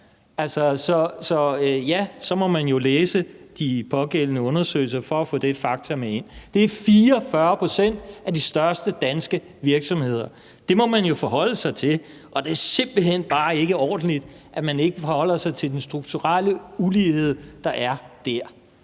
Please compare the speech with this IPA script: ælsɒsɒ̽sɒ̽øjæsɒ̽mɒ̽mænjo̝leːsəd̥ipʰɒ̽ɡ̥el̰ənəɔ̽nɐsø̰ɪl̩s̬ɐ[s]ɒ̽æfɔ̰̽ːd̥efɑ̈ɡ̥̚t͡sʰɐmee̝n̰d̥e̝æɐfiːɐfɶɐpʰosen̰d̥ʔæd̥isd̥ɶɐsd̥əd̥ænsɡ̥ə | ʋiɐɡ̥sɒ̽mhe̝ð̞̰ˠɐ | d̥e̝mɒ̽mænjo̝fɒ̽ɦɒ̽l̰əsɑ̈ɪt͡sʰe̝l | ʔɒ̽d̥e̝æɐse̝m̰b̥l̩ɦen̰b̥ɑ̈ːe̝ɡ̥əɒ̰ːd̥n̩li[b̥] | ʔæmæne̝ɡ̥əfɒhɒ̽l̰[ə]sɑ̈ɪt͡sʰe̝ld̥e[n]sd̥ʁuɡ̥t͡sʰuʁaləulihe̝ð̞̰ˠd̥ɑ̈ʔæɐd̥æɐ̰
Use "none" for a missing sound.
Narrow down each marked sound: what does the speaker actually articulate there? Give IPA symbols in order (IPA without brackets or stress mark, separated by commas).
f, d̥, ɐ, n